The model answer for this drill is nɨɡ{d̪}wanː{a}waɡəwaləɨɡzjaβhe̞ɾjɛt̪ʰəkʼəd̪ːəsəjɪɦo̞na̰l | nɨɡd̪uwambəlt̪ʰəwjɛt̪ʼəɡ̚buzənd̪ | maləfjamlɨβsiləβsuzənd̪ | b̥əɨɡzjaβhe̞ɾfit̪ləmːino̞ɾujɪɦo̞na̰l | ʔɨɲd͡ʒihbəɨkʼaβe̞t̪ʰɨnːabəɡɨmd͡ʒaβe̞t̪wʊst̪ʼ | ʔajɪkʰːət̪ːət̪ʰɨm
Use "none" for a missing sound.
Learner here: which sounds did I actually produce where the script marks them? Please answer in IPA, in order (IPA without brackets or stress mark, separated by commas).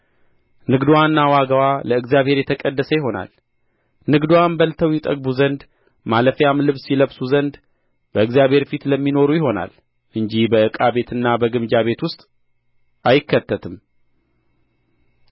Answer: d̪, a